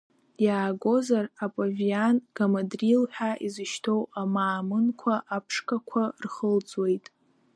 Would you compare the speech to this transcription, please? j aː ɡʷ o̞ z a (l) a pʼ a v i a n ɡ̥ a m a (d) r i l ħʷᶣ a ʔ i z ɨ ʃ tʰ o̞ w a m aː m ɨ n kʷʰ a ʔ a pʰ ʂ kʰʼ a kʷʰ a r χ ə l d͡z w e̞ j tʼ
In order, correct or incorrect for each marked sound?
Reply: incorrect, correct

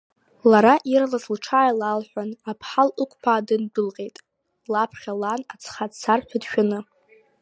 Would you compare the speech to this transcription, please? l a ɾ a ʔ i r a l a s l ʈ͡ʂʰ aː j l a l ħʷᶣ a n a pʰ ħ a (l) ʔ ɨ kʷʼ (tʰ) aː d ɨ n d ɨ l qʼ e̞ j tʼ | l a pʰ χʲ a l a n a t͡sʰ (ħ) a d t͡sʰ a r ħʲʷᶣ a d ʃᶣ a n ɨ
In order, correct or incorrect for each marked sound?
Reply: correct, incorrect, incorrect

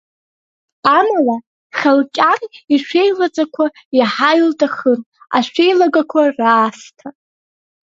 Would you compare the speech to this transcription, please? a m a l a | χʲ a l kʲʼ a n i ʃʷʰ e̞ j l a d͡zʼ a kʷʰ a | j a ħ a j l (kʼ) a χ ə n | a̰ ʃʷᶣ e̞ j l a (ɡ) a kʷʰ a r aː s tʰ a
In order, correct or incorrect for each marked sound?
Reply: incorrect, correct

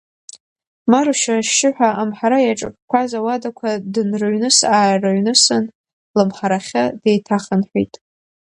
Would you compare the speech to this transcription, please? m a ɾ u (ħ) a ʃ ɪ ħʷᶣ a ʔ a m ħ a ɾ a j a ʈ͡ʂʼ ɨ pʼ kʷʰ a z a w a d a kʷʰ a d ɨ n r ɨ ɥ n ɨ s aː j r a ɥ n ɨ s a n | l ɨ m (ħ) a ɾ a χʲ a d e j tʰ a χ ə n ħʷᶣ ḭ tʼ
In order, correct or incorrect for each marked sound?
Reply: incorrect, correct

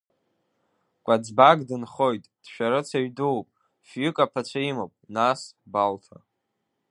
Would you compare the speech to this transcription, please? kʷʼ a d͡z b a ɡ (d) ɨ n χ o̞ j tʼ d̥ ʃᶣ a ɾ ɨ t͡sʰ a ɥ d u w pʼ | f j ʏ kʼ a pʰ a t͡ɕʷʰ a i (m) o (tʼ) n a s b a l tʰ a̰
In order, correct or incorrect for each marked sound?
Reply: correct, correct, incorrect

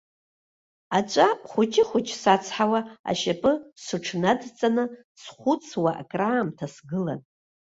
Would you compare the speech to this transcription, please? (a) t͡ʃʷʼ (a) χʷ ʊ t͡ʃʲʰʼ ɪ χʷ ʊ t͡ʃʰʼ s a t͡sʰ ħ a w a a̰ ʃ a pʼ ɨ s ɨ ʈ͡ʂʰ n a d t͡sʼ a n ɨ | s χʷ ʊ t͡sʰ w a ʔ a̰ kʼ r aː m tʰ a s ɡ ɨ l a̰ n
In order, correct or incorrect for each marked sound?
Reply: correct, correct

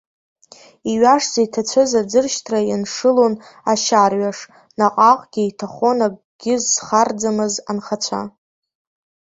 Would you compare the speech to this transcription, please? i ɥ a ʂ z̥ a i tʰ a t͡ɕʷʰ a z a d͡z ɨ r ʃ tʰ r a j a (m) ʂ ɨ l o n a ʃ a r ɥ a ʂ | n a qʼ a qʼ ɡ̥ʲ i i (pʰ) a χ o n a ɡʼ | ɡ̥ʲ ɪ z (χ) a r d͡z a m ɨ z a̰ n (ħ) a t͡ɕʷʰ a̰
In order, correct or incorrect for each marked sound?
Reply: incorrect, incorrect, correct, incorrect

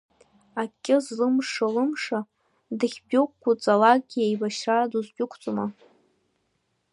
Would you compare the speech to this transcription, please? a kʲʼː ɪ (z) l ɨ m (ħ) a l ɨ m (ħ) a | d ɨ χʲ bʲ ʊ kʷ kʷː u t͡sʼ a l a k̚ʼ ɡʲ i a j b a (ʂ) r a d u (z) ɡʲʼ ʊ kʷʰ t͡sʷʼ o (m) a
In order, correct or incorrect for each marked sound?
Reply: correct, incorrect, incorrect, incorrect, correct, correct

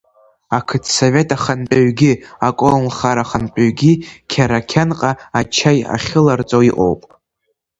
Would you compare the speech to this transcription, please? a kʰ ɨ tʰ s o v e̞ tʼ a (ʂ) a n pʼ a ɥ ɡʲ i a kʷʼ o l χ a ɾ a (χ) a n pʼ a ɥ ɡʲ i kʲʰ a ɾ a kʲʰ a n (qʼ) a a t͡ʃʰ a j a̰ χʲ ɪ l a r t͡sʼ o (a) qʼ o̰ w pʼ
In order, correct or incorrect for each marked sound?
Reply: incorrect, correct, correct, incorrect

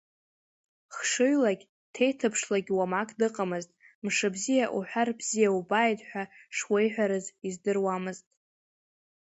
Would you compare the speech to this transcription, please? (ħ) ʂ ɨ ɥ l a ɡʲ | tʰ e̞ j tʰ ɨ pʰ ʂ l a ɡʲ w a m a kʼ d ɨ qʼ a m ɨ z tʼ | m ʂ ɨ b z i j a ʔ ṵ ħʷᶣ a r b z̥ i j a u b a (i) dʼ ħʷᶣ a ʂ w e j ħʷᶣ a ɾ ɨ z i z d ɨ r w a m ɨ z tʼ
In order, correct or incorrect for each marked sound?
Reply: incorrect, incorrect

